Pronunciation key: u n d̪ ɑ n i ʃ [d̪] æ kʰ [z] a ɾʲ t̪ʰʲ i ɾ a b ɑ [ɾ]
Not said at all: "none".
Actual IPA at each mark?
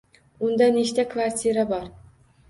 t̪, v, ɾ

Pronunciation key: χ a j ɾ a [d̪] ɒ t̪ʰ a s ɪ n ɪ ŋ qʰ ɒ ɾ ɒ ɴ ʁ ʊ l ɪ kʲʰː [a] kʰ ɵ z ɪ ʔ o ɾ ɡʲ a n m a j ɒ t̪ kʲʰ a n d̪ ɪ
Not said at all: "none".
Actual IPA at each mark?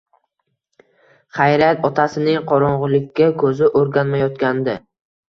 t̪, a

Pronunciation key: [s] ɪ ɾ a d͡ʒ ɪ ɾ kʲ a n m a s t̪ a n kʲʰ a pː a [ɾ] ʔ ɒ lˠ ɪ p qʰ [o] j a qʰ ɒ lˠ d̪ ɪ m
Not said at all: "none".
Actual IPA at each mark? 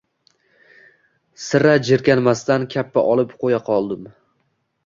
s, none, o

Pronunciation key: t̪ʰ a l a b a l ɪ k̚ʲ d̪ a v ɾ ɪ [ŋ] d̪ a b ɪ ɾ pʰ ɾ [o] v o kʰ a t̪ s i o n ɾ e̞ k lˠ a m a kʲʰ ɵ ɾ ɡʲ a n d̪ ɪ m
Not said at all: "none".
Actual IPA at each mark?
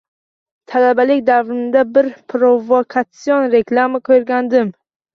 n, o

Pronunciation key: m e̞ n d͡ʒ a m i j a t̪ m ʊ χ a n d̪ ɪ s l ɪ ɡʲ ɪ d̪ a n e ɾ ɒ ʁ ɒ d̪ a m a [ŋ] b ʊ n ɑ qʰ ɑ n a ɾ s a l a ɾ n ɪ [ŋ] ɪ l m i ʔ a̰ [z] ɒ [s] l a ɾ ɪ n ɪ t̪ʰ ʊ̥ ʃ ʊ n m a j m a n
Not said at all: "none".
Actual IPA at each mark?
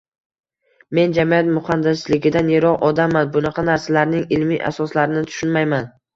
n, ŋ, s, s

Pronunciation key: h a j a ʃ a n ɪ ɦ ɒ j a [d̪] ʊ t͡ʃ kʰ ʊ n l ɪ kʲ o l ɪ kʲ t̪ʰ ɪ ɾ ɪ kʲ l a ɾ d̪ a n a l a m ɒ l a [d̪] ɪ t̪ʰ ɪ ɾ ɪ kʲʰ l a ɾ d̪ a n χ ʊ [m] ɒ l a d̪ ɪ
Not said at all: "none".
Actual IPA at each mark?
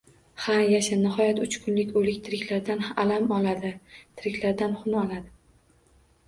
t̪, d̪, n

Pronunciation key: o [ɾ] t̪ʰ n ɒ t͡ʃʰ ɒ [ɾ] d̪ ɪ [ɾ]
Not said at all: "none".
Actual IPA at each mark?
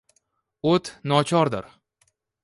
none, ɾ, ɾ

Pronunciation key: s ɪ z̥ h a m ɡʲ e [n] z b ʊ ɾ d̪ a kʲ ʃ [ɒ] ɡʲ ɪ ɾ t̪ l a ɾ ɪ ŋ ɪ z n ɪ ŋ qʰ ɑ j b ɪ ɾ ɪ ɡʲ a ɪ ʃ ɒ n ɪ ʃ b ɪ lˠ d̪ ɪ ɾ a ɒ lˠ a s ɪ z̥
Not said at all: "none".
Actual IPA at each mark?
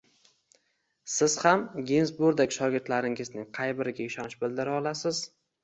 n, ɒ

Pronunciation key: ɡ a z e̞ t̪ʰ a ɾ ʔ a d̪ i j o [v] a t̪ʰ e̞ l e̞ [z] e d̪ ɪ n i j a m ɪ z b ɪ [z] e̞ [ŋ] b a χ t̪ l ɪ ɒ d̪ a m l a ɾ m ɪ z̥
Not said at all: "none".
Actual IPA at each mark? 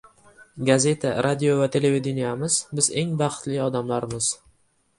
v, v, z, ŋ

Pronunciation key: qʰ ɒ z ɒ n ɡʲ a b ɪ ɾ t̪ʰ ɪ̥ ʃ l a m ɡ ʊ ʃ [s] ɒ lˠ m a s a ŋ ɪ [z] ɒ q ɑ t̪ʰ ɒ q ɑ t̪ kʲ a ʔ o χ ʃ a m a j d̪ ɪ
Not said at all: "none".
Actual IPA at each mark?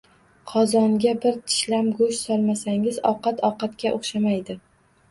s, z

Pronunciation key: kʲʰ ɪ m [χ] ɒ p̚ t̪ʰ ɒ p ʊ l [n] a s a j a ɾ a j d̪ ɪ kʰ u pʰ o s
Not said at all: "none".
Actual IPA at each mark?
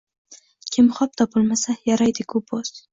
χ, m

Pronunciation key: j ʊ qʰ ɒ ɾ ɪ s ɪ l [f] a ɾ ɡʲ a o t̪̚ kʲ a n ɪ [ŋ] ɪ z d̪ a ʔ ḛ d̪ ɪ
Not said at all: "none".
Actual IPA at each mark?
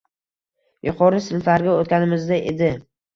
f, m

